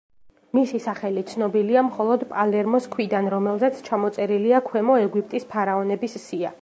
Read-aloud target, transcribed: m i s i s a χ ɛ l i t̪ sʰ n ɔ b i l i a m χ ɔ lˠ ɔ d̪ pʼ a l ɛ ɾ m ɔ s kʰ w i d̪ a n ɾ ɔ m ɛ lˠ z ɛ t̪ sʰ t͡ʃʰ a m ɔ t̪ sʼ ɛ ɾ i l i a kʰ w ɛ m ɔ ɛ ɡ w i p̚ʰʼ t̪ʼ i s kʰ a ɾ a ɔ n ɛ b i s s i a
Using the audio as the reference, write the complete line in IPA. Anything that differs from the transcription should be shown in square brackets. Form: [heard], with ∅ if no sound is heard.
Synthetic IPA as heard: m i s i s a χ ɛ l i t̪ sʰ n ɔ b i l i a m χ ɔ lˠ ɔ d̪ pʼ a l ɛ ɾ m ɔ s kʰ w i d̪ a n ɾ ɔ m ɛ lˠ z ɛ t̪ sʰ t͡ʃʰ a m ɔ t̪ sʼ ɛ ɾ i l i a kʰ w ɛ m ɔ ɛ ɡ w i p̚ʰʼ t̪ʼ i s [pʰ] a ɾ a ɔ n ɛ b i s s i a